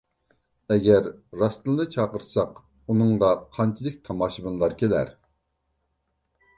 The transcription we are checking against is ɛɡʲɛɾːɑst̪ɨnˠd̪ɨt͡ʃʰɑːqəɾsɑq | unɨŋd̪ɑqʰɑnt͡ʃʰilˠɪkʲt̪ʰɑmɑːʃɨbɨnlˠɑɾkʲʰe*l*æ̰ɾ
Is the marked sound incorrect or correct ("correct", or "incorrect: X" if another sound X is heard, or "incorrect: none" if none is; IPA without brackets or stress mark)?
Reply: correct